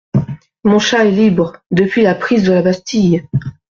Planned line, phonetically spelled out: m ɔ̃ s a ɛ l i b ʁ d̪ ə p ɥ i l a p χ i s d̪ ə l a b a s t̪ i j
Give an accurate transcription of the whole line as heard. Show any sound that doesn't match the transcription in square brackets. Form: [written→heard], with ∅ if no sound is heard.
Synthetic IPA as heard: m ɔ̃ [s→ʃ] a ɛ l i b ʁ d̪ ə p ɥ i l a p χ i [s→z] d̪ ə l a b a s t̪ i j